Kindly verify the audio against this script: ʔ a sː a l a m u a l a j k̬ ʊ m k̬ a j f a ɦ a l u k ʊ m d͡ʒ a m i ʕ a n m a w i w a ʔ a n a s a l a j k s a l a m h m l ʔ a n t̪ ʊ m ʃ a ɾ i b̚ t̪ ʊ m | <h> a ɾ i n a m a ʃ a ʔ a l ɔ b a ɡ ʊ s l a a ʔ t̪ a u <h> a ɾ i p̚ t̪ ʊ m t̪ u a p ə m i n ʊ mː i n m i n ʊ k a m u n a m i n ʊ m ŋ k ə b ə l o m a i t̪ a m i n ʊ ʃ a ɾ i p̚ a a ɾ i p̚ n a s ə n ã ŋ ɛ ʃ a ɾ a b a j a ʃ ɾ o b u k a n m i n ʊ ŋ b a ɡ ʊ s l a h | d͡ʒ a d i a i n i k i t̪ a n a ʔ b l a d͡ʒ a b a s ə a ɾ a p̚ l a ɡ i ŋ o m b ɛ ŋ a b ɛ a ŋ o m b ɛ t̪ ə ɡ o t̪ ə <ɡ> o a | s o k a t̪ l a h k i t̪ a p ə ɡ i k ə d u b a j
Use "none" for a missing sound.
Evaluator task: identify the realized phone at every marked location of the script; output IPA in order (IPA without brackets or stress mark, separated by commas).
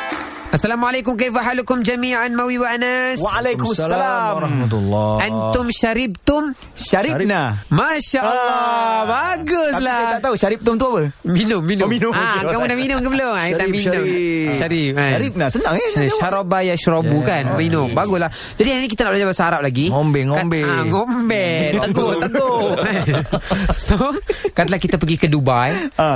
ʃ, ʃ, ɡ